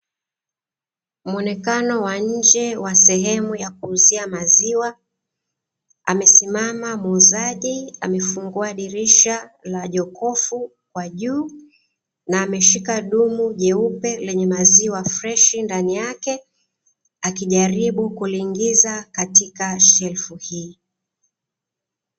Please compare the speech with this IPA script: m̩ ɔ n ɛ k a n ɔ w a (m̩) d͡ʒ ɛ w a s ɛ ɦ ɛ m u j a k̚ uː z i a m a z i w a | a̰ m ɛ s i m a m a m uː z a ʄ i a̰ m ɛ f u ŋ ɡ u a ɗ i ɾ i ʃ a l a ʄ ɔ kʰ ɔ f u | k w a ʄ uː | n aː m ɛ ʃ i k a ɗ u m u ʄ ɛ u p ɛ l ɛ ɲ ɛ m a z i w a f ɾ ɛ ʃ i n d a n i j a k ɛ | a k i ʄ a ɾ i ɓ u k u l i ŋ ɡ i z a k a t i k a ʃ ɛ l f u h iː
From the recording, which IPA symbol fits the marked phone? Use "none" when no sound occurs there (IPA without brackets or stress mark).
ɲ̩